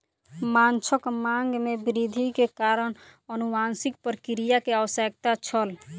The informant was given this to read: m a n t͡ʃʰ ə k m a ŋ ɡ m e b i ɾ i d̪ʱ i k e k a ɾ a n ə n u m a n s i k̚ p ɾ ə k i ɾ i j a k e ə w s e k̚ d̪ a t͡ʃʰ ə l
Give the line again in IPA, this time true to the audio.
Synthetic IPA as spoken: m a n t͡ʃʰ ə k m a ŋ ɡ m e b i ɾ i d̪ʱ i k e k a ɾ ə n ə n u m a n s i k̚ p ɾ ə k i ɾ i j a k e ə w s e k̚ t̪ a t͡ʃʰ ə l